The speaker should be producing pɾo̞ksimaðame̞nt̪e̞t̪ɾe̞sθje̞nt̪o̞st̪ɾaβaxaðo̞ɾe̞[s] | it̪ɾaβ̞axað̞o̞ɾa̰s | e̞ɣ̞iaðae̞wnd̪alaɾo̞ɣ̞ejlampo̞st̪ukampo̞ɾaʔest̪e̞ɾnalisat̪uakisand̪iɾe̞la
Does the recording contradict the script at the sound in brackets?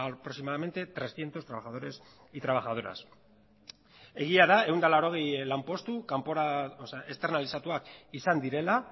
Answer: no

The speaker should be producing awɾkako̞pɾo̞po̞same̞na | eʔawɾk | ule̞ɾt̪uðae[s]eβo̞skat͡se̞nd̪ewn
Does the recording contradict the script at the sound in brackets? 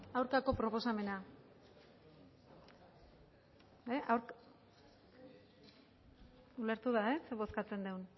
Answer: no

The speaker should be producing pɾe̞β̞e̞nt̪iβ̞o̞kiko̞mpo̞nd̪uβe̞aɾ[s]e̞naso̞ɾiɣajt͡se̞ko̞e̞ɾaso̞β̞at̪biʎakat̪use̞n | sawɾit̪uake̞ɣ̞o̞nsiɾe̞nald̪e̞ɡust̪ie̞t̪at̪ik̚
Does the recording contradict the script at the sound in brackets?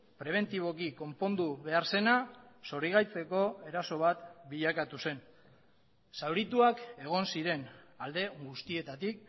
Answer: no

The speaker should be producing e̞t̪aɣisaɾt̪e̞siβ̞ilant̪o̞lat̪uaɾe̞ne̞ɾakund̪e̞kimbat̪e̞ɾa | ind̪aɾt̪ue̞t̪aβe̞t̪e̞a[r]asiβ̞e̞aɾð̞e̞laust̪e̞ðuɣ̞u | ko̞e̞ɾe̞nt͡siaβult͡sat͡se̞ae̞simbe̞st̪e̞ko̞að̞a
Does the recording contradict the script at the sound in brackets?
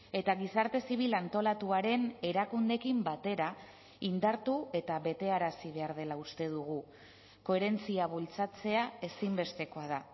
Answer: yes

